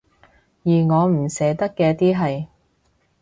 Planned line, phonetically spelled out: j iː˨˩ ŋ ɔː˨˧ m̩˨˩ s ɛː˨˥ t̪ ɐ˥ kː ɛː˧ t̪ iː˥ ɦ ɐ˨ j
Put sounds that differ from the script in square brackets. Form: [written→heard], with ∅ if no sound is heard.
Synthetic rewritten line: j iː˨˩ ŋ ɔː˨˧ m̩˨˩ s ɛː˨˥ t̪ ɐ˥ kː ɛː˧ t̪ iː˥ ɦ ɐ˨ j